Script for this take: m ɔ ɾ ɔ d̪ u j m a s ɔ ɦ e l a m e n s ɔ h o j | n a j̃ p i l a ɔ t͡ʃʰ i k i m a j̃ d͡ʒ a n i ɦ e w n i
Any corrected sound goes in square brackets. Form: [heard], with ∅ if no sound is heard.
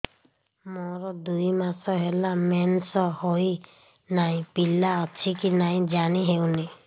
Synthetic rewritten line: m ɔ ɾ ɔ d̪ u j m a s ɔ ɦ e l a m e n s ɔ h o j | n a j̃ p i l a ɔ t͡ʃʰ i k i [n] a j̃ d͡ʒ a n i ɦ e w n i